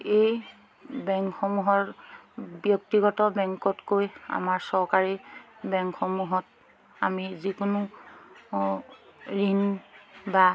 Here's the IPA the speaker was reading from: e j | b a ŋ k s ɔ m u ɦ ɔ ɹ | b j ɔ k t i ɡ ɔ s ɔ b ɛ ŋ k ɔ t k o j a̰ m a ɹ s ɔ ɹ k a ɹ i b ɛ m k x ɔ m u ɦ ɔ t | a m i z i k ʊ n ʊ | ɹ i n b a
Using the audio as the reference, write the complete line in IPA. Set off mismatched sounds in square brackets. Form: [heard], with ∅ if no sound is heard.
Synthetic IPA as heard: e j | b [ɛ] ŋ k [x] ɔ m u ɦ ɔ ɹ | b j ɔ k t i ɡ ɔ [t] ɔ b ɛ ŋ k ɔ t k o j a̰ m a ɹ s ɔ ɹ k a ɹ i b ɛ [ŋ] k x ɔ m u ɦ ɔ t | a m i z i k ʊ n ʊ | ɹ i n b a